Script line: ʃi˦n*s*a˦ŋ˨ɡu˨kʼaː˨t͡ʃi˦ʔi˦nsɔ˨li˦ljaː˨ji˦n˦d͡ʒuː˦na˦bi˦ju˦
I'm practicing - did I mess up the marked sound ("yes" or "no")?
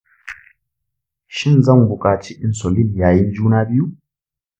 yes